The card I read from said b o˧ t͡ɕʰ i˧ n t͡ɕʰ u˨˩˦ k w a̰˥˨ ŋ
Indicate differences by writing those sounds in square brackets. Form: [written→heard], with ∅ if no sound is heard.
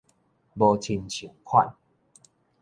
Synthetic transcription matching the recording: b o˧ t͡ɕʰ i˧ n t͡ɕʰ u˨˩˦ [k→kʰ] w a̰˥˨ [ŋ→n]